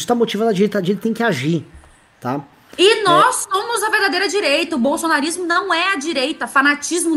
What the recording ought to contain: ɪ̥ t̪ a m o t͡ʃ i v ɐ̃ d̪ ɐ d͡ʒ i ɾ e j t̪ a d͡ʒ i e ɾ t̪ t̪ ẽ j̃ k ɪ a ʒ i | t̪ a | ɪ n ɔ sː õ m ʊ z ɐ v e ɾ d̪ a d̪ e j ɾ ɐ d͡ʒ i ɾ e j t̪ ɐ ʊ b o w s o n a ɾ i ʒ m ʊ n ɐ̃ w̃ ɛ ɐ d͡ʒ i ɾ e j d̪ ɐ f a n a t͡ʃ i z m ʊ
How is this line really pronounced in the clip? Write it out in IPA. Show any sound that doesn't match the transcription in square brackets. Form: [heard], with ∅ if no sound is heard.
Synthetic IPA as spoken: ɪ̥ t̪ a m o t͡ʃ i v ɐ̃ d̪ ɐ d͡ʒ i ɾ e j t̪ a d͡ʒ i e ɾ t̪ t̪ ẽ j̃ k ɪ a ʒ i | t̪ a | ɪ n ɔ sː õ m ʊ z ɐ v e ɾ d̪ a d̪ e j ɾ ɐ d͡ʒ i ɾ e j t̪ ɐ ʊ b o w s o n a ɾ i [z] m ʊ n ɐ̃ w̃ ɛ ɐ d͡ʒ i ɾ e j [t̪] ɐ f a n a t͡ʃ i z m ʊ